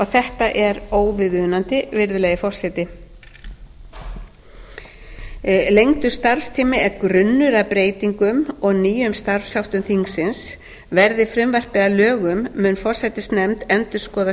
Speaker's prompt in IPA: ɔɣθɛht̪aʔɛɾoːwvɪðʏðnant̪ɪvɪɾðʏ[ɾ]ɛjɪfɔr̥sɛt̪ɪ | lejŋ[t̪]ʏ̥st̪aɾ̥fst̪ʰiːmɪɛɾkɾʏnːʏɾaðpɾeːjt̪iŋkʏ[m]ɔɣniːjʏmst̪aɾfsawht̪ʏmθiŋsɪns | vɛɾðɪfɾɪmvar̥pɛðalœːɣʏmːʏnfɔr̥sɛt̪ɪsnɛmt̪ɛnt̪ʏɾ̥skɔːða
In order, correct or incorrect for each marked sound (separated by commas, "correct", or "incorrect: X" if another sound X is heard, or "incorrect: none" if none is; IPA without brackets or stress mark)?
incorrect: l, correct, correct